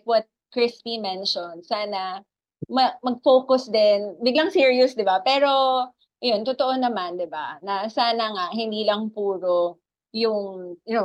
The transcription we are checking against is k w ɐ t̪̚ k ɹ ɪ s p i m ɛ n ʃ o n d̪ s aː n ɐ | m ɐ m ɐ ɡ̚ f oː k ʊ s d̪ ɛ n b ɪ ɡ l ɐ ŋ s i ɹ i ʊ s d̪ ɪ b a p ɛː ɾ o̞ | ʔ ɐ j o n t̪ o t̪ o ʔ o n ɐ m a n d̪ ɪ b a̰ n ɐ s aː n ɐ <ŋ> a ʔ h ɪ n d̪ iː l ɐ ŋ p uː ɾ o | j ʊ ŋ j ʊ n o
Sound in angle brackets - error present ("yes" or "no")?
no